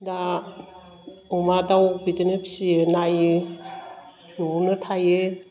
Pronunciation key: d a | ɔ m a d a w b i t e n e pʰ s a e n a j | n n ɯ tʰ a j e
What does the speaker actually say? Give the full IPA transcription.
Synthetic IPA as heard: d a | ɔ m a d a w b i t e n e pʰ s i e n a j | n n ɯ tʰ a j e